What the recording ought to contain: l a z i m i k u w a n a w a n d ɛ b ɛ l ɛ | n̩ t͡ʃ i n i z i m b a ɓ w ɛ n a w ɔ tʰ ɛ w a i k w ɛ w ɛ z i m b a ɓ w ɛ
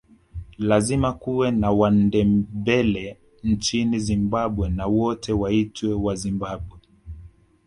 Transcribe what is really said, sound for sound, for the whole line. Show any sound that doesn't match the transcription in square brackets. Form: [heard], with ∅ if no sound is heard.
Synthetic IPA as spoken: l a z i m [a] k u w [ɛ] n a w a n d ɛ b ɛ l ɛ | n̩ t͡ʃ i n i z i m b a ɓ w ɛ n a w ɔ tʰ ɛ w a i [t] w ɛ w [a] z i m b a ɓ w ɛ